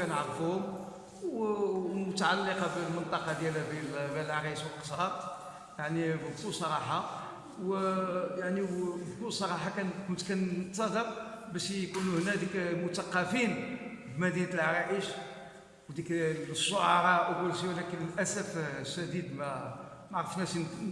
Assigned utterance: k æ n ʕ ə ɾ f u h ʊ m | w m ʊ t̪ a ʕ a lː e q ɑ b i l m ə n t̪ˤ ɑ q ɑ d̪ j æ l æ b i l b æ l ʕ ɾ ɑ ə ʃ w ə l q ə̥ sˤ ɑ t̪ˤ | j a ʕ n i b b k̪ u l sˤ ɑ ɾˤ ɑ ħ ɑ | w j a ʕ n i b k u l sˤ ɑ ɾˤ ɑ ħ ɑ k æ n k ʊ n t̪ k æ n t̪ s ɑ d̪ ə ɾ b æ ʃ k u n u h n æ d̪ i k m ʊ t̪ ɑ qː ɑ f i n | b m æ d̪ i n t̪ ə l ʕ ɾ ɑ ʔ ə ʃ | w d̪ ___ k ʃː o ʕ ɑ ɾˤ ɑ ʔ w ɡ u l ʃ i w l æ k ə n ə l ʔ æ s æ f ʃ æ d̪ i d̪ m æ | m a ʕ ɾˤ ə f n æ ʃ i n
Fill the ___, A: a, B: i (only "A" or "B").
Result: B